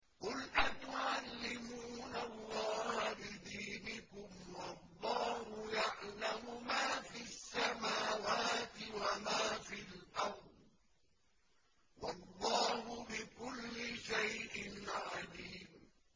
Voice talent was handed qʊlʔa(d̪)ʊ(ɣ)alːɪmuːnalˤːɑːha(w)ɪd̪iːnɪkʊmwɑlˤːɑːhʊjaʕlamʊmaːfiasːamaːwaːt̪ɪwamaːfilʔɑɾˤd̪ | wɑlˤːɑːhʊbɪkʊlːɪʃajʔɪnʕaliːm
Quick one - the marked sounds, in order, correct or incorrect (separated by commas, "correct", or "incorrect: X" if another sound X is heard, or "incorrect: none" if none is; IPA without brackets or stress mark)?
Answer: incorrect: t̪, incorrect: ʕ, incorrect: b